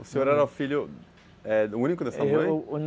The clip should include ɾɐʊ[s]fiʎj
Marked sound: incorrect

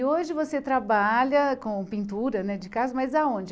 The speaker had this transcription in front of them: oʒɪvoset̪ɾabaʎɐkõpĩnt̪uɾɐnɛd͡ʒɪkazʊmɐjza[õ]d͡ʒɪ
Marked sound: correct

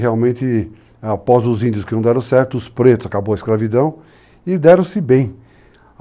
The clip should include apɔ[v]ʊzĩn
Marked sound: incorrect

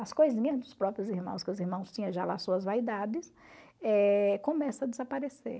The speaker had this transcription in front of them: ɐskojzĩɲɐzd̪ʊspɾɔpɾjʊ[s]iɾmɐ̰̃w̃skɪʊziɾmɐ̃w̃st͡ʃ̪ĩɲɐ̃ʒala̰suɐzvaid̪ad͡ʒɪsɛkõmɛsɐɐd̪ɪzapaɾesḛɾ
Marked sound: incorrect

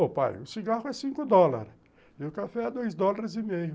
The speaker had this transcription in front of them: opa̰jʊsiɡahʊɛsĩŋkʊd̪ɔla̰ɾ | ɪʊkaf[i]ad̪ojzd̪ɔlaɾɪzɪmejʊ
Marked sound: incorrect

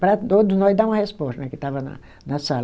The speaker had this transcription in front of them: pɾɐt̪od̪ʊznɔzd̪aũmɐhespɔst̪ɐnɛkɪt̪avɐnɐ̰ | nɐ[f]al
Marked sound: incorrect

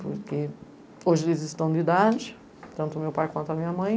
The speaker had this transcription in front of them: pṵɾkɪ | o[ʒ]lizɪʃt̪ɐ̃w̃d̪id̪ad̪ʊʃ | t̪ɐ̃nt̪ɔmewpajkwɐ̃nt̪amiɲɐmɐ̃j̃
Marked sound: correct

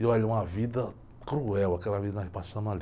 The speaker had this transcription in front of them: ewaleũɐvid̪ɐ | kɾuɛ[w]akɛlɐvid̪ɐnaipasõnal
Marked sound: correct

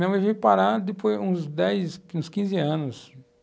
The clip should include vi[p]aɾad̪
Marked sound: correct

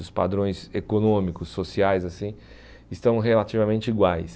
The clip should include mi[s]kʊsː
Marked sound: incorrect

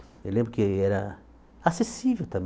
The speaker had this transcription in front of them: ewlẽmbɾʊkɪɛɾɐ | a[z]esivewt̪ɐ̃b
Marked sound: incorrect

